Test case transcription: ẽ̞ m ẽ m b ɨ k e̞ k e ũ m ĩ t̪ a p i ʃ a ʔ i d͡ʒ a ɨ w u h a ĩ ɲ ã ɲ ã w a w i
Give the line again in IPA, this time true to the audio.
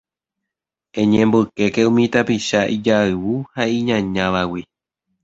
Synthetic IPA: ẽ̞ ɲ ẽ m b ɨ k e̞ k e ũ m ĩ t̪ a p i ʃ a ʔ i d͡ʒ a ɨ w u h a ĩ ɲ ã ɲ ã ʋ a w i